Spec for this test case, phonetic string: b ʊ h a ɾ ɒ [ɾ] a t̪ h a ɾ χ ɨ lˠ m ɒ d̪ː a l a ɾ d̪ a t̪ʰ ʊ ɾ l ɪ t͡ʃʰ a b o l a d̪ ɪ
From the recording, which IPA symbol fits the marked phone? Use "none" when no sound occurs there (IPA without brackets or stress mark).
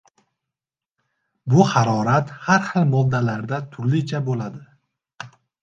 ɾ